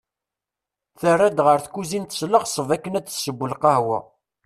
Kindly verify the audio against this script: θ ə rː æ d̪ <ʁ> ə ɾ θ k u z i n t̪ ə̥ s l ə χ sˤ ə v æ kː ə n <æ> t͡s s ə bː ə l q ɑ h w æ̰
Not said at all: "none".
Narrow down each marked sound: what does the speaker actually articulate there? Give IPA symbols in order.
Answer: ʁ, æ

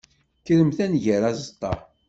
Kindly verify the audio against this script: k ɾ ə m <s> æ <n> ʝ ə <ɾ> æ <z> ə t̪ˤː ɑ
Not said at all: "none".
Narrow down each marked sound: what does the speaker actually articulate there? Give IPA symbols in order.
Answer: θ, n, ɾ, z

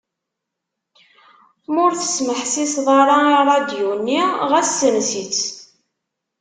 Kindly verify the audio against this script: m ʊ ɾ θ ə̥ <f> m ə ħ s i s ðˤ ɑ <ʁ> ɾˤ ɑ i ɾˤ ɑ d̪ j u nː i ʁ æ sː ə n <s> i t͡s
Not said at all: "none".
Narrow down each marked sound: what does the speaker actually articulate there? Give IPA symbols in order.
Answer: s, none, s

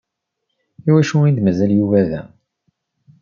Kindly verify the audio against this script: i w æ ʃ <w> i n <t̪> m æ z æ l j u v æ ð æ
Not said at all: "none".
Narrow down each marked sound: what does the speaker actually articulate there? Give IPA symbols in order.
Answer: u, d̪

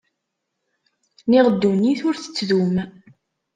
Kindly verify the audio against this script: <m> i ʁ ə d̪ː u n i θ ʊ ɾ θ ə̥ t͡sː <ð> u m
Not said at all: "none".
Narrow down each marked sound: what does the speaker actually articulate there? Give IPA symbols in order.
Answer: n, ð

